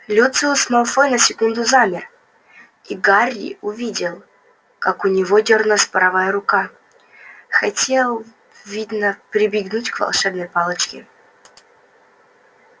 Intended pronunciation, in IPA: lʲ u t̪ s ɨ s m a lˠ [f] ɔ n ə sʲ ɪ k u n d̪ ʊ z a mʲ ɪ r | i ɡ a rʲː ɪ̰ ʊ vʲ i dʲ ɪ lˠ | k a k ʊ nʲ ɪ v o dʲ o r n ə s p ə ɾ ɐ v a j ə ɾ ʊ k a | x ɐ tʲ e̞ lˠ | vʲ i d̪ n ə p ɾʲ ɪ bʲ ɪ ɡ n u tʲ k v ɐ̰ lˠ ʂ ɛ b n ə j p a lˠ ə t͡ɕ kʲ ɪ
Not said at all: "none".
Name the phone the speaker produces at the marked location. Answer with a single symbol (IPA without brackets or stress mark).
f